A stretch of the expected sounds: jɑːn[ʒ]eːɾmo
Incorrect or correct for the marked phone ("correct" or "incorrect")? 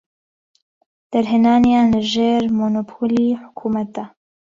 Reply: correct